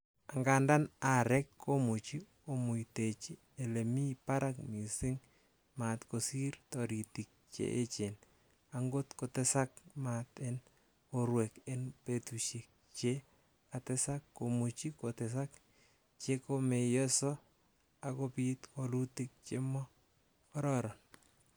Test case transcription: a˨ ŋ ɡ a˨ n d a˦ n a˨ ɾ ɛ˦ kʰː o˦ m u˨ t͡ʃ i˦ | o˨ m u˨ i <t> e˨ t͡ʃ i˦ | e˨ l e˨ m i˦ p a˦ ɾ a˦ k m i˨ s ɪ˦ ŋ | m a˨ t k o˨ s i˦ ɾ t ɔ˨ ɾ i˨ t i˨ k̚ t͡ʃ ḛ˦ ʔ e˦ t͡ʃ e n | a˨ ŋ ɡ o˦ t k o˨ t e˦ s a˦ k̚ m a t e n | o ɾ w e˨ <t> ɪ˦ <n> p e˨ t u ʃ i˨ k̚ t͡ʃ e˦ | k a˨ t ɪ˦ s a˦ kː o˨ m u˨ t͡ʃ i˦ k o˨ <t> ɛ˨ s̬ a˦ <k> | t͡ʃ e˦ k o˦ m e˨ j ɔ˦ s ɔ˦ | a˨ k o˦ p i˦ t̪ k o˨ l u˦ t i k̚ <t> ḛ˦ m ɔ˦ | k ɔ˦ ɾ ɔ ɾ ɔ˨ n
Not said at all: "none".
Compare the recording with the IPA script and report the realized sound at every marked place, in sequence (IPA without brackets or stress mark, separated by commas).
t, k, n, t, k, t͡ʃ